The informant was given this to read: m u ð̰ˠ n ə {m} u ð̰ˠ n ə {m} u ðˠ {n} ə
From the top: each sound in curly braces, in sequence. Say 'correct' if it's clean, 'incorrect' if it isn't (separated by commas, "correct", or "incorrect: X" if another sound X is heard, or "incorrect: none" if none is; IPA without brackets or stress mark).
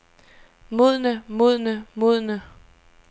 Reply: correct, correct, correct